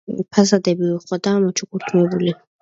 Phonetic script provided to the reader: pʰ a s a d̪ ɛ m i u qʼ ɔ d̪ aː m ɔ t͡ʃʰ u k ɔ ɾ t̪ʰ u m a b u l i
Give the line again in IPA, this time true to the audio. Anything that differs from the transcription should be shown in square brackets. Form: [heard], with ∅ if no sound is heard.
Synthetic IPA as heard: pʰ a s a d̪ ɛ [b] i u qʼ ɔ d̪ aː m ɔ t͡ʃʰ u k [u] ɾ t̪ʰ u m [ɛ] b u l i